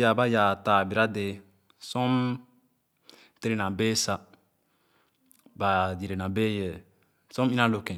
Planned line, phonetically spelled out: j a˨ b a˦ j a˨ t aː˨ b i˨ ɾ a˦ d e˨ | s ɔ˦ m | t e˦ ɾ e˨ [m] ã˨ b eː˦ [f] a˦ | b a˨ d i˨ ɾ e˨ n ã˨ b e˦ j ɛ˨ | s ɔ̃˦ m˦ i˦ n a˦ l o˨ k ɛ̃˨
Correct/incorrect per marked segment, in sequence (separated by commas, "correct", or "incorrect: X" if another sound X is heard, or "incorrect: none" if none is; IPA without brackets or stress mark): incorrect: n, incorrect: s